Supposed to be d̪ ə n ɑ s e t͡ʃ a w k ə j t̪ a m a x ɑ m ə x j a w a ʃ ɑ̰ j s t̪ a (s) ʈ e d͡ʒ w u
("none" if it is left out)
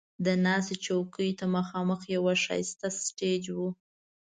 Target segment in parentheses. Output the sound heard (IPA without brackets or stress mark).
s